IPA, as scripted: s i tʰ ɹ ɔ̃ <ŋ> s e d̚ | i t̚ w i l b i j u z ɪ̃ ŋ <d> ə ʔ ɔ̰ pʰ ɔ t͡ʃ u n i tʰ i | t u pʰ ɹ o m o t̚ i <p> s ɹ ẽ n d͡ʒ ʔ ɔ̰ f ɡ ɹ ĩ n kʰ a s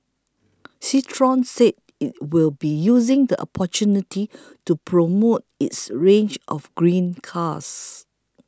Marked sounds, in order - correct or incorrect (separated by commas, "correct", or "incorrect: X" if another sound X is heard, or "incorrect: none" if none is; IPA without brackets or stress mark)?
incorrect: n, correct, incorrect: t